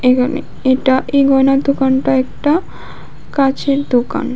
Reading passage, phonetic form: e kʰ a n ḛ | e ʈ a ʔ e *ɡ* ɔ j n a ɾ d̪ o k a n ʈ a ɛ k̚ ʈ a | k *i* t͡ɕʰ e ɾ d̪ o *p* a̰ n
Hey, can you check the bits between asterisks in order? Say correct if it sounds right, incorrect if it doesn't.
correct, incorrect: a, incorrect: k

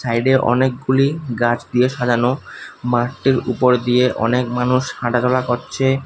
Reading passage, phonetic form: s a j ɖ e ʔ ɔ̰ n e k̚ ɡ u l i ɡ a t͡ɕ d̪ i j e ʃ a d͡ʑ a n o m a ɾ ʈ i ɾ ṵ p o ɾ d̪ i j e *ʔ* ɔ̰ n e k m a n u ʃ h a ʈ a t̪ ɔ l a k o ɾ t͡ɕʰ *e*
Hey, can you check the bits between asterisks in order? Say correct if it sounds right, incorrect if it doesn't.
correct, correct

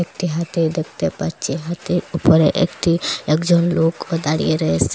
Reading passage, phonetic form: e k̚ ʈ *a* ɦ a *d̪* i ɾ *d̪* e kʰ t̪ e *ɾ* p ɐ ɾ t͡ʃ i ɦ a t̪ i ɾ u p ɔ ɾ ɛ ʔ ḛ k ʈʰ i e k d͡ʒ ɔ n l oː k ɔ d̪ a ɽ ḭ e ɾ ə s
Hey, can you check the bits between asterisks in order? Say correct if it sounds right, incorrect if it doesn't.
incorrect: i, incorrect: t̪, correct, incorrect: none

